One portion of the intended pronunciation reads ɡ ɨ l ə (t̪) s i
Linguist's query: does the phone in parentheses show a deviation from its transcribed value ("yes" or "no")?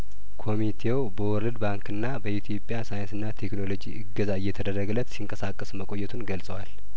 no